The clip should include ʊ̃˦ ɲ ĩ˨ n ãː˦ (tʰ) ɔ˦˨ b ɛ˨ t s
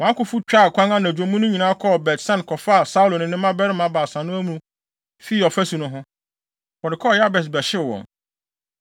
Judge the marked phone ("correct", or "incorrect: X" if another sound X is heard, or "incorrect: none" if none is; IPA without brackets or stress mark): incorrect: kʰ